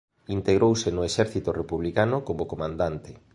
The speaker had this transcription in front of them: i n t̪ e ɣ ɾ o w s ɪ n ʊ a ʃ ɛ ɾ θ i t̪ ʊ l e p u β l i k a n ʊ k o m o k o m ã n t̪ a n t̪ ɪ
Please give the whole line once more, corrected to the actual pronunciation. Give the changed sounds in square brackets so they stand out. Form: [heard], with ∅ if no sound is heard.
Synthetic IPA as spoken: i n t̪ e ɣ ɾ o w s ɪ n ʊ [e] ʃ ɛ ɾ θ i t̪ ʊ [r] e p u β l i k a n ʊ k o m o k o m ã n [d̪] a n t̪ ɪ